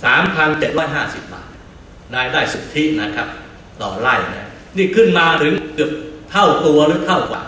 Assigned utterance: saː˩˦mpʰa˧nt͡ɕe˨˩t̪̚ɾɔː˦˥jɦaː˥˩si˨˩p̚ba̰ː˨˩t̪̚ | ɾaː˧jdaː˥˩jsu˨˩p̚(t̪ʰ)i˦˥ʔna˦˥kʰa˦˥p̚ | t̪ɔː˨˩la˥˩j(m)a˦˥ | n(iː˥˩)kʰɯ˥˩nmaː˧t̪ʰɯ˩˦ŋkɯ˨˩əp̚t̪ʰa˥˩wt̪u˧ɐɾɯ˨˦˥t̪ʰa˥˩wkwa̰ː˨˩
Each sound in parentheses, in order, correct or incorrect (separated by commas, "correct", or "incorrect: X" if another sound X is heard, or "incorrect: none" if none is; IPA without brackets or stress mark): correct, incorrect: n, correct